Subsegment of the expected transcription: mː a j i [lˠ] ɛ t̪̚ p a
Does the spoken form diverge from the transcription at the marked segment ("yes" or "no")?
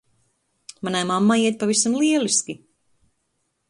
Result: yes